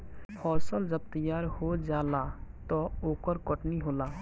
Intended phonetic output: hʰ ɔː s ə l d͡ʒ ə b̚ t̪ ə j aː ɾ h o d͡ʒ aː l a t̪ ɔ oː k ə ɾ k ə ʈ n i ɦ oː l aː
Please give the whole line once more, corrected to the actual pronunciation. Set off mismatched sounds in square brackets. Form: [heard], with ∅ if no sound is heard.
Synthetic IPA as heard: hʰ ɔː s ə l d͡ʒ ə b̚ t̪ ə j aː ɾ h o d͡ʒ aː l a t̪ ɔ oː k ə ɾ k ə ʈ n i ɦ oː l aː